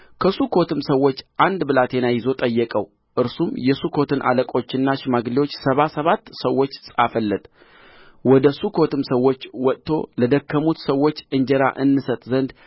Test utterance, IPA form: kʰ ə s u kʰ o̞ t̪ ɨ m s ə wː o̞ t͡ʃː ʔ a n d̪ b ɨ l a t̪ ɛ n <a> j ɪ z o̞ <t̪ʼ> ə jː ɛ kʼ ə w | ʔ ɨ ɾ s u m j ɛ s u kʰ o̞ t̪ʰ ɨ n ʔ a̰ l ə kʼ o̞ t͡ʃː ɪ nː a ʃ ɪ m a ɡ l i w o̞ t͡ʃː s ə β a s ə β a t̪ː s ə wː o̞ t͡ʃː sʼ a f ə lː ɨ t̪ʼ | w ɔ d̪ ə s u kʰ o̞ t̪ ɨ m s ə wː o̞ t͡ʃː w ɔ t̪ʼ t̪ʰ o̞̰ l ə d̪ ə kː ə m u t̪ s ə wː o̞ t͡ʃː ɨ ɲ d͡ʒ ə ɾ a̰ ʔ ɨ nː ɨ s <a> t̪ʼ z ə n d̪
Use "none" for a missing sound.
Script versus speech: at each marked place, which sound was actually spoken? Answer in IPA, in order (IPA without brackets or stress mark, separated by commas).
a, t̪ʼ, ə